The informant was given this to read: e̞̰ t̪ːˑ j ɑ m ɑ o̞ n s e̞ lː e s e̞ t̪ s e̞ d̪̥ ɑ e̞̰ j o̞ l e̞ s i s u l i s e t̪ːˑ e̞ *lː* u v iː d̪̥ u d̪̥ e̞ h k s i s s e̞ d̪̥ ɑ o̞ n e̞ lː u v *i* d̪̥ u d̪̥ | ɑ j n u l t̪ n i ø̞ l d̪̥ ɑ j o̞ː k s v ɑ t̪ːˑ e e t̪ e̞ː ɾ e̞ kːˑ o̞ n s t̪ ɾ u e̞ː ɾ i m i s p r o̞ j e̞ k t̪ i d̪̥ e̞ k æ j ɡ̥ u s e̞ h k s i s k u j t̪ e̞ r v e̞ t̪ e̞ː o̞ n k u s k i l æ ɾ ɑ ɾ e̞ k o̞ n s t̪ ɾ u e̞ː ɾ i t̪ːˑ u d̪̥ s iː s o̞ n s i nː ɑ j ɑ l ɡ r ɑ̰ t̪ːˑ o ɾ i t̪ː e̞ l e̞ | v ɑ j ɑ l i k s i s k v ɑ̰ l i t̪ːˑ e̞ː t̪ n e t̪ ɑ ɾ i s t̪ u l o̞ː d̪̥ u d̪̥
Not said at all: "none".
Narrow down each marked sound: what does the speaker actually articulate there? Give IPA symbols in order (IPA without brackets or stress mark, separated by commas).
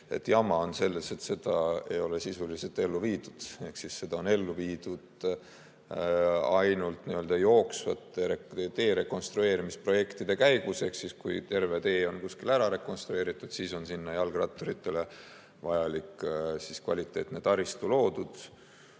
lː, iː